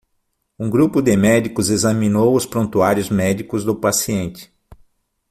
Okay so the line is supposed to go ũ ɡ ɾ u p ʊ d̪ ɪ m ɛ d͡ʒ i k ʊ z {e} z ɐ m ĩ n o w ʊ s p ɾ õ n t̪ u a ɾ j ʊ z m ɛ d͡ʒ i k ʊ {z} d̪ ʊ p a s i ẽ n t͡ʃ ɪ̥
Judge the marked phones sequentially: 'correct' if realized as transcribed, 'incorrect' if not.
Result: correct, correct

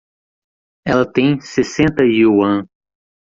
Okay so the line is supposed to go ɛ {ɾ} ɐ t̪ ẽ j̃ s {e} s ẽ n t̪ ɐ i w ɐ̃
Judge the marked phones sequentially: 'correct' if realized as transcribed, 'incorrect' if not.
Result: incorrect: l, correct

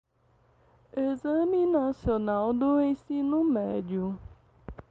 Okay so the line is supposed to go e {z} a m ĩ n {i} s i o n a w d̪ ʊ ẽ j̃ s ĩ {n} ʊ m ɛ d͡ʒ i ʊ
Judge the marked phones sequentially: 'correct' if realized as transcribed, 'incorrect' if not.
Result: correct, incorrect: a, correct

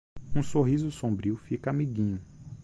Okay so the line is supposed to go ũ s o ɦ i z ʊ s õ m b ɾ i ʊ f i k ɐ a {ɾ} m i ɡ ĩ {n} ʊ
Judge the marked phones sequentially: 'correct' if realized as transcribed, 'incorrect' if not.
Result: incorrect: none, incorrect: ɲ

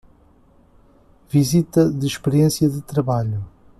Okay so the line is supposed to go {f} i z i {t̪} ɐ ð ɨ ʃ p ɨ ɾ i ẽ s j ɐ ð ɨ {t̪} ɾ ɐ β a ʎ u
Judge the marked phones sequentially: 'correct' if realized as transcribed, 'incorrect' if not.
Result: incorrect: v, correct, correct

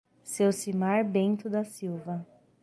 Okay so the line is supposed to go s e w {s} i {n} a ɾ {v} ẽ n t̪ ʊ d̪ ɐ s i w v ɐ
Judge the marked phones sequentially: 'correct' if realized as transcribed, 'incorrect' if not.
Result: correct, incorrect: m, incorrect: b

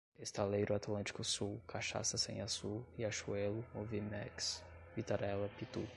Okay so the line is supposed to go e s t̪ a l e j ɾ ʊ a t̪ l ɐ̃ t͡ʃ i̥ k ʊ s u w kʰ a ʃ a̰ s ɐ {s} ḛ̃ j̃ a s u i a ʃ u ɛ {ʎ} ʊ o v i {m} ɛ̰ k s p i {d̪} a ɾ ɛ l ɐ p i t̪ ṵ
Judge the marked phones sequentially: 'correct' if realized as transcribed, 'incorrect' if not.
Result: correct, incorrect: l, correct, incorrect: t̪

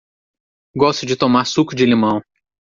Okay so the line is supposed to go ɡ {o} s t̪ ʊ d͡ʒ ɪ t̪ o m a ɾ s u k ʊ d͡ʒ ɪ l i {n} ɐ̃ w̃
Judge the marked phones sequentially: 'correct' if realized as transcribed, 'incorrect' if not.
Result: incorrect: ɔ, incorrect: m

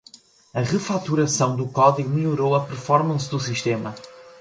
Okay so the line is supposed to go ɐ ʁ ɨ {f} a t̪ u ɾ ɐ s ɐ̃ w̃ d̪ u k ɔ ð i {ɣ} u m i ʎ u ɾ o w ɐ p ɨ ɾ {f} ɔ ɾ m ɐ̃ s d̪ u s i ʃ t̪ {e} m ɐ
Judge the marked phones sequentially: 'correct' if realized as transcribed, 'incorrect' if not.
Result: correct, correct, correct, correct

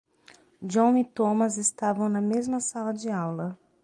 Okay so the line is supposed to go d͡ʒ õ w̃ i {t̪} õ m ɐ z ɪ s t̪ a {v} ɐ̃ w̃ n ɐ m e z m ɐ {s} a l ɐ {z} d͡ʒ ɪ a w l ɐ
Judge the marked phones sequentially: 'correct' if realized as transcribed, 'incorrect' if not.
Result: correct, correct, correct, incorrect: none

